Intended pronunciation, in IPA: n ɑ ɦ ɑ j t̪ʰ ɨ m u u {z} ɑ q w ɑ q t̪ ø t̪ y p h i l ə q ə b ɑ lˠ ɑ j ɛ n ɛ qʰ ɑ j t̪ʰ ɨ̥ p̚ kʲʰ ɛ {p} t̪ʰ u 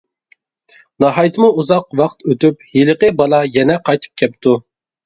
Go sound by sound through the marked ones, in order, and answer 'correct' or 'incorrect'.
correct, correct

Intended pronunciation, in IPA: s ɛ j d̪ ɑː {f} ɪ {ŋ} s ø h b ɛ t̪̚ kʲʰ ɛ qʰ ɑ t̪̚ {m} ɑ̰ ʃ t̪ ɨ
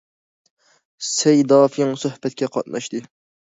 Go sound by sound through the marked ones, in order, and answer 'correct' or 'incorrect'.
correct, correct, incorrect: n

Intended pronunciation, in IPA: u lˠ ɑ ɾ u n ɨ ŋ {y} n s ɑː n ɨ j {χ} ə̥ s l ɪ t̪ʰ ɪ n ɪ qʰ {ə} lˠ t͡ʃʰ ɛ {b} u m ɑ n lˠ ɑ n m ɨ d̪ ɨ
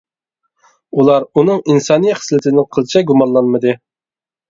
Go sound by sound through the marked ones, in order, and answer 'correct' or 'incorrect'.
incorrect: i, correct, correct, incorrect: ɡ

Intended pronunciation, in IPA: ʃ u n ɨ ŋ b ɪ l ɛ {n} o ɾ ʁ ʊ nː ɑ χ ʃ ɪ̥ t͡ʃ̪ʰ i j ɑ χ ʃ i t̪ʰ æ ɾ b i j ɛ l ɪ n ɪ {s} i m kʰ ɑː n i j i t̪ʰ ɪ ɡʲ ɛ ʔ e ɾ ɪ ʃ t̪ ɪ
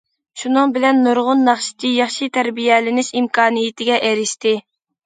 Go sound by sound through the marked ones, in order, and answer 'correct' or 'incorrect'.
incorrect: nː, incorrect: ʃ

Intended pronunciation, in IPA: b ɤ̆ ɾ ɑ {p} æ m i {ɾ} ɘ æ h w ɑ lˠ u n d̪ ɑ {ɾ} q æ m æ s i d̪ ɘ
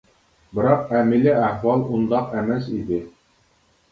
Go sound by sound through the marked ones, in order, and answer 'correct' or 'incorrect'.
incorrect: q, incorrect: l, incorrect: none

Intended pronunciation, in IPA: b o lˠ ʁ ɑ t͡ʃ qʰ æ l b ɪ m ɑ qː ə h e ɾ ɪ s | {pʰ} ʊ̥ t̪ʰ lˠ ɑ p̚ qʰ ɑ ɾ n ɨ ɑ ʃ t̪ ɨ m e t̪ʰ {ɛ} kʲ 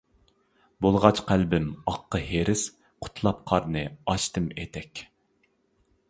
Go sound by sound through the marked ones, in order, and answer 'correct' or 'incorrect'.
incorrect: qʰ, correct

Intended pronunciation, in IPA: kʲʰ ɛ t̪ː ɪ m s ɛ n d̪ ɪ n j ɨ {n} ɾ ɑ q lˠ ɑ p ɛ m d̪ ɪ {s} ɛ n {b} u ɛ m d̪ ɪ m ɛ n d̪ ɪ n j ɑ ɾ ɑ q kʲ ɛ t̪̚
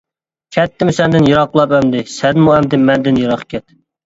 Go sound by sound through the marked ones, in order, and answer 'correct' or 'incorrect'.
incorrect: none, correct, incorrect: m

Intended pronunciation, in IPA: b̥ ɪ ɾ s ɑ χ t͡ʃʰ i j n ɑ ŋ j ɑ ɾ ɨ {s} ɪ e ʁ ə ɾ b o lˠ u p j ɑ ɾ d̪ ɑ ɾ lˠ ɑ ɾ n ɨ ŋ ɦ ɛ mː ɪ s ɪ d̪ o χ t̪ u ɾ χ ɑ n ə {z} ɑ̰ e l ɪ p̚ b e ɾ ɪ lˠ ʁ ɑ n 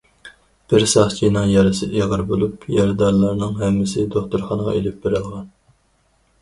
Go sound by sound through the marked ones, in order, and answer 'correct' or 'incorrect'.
correct, incorrect: ʁ

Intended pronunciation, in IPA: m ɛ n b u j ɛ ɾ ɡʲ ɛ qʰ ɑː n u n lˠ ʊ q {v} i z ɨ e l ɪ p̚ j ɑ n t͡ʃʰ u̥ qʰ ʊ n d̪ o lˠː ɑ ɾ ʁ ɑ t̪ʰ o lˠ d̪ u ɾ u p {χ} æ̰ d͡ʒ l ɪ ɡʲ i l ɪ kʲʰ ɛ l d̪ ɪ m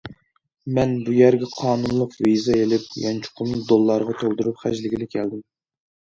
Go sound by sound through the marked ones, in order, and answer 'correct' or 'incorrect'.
correct, correct

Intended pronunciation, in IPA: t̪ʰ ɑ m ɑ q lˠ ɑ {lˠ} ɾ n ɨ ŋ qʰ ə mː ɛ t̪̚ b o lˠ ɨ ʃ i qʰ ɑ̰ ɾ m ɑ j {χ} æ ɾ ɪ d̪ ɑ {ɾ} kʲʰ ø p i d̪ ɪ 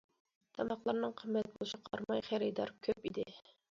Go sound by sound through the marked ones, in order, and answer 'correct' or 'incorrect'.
incorrect: none, correct, correct

